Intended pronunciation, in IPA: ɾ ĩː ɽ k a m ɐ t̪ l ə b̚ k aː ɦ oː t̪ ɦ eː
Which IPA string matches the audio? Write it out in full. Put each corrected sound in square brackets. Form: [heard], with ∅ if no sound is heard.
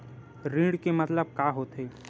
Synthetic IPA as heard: ɾ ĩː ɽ k [e] m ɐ t̪ l ə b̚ k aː ɦ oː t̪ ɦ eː